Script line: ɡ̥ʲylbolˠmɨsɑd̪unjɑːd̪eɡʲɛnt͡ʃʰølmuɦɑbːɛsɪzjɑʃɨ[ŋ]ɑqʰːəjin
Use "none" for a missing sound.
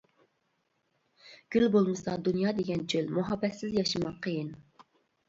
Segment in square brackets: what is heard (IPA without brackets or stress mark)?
m